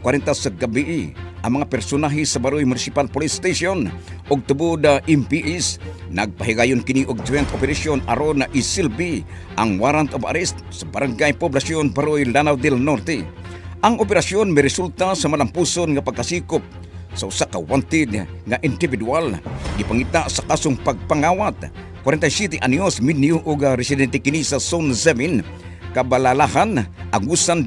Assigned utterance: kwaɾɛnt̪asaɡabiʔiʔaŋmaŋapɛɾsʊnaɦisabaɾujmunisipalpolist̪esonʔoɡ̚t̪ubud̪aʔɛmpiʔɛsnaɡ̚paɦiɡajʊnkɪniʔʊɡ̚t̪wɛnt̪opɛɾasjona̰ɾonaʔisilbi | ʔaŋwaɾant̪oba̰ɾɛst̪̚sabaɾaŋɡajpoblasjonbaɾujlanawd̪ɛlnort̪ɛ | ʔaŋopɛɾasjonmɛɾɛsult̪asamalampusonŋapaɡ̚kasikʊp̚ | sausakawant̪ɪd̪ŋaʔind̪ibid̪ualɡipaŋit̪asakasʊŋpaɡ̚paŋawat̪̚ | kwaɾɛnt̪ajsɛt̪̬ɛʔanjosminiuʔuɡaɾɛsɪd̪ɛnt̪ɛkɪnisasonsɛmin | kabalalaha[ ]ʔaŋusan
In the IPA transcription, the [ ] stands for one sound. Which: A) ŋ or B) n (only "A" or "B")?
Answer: B